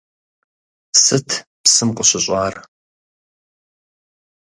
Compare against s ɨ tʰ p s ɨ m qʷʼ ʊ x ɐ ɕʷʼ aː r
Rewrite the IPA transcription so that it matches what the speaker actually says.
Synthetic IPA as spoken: s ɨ tʰ p s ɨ m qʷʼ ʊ ɕ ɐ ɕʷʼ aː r

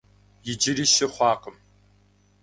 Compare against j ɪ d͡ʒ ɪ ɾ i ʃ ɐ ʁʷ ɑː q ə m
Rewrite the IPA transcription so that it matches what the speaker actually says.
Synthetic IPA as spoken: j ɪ d͡ʒ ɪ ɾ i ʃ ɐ χʷ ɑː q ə m

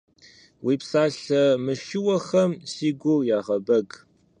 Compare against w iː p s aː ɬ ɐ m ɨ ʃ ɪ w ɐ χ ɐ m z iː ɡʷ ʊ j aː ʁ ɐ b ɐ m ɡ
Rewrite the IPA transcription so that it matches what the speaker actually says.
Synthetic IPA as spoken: w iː p s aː ɬ ɐ m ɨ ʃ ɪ w ɐ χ ɐ m s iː ɡʷ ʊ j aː ʁ ɐ b ɐ ɡ

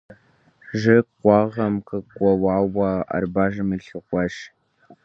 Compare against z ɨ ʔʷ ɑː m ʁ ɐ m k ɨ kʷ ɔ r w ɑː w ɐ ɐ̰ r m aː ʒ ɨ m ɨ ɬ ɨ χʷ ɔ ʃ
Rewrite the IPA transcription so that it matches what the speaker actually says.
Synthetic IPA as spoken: ʒ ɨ qʷ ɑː ʁ ɐ m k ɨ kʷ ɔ w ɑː w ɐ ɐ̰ r b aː ʒ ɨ m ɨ ɬ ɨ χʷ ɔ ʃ

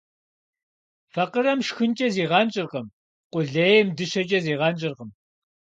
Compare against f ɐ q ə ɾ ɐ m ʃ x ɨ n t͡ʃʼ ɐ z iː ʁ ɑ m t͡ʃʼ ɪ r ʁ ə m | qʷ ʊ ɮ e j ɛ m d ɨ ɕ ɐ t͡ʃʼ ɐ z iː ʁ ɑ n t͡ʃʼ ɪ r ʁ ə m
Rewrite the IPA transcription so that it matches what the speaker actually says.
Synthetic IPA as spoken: f ɐ q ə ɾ ɐ m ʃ x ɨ n t͡ʃʼ ɐ z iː ʁ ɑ n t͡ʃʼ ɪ r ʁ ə m | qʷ ʊ ɮ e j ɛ m d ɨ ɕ ɐ t͡ʃʼ ɐ z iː ʁ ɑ n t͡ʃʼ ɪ r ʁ ə m

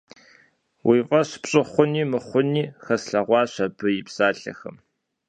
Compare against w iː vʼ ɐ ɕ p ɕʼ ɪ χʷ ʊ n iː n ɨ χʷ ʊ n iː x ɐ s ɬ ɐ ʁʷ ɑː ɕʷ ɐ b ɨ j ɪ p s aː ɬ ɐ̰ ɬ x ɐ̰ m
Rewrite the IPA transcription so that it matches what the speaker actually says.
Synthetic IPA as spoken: w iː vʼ ɐ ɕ p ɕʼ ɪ χʷ ʊ n iː m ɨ χʷ ʊ n iː x ɐ s ɬ ɐ ʁʷ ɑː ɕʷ ɐ b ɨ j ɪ p s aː ɬ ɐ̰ x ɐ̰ m

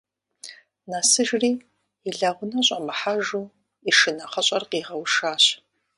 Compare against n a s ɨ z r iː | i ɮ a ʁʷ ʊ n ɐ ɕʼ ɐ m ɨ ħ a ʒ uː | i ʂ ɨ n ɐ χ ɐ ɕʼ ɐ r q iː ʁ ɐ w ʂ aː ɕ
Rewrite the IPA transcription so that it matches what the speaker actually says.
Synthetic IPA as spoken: n a s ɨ ʒ r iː | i ɮ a ʁʷ ʊ n ɐ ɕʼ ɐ m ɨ ħ a ʒ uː | i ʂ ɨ n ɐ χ ɐ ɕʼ ɐ r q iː ʁ ɐ w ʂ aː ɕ

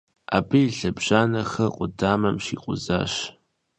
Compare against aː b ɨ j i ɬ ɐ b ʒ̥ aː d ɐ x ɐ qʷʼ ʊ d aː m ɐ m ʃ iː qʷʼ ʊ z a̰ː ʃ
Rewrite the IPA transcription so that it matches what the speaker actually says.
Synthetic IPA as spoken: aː b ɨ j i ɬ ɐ b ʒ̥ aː n ɐ x ɐ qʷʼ ʊ d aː m ɐ m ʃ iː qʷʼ ʊ z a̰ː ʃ

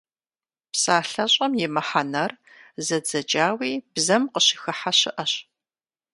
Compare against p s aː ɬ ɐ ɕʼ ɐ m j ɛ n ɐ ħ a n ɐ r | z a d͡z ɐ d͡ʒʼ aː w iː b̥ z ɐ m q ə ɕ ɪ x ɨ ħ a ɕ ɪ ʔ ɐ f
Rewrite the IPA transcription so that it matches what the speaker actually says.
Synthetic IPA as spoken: p s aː ɬ ɐ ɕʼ ɐ m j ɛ m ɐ ħ a n ɐ r | z ɐ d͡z ɐ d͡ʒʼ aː w iː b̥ z ɐ m q ə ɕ ɪ x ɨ ħ a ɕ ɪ ʔ ɐ ɕ

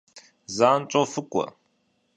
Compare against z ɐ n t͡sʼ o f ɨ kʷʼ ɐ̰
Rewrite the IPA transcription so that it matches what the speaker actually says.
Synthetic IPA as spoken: z a n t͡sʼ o f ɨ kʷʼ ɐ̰

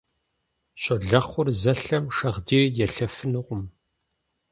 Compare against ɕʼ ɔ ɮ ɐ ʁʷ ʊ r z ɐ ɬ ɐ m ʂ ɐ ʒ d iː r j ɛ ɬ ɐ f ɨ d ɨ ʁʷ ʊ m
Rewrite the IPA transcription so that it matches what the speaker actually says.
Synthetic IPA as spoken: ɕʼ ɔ ɮ ɐ χʷ ʊ r z ɐ ɬ ɐ m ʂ ɐ ʁ d iː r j ɛ ɬ ɐ f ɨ n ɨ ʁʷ ʊ m

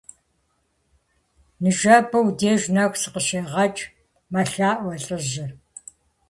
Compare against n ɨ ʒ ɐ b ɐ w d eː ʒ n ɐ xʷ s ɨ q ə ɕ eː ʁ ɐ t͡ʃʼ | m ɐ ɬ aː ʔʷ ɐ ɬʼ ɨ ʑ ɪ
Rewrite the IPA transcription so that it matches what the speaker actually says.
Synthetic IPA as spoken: n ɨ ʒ ɐ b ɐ w d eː ʒ n ɐ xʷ s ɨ q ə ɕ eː ʁ ɐ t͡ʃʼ | m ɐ ɬ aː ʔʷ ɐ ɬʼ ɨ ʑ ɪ

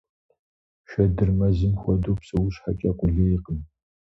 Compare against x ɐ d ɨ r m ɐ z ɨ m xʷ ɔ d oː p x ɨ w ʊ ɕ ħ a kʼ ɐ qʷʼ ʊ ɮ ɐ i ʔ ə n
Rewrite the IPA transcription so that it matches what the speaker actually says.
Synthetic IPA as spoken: ʃ ɐ d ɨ r m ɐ z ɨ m xʷ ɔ d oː p s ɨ w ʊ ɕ ħ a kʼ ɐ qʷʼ ʊ ɮ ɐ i q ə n

